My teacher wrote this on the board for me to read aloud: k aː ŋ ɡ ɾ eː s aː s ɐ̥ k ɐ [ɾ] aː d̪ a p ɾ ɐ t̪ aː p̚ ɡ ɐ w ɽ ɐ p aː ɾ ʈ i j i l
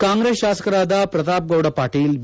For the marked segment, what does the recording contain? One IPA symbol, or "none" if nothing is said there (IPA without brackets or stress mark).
ɾ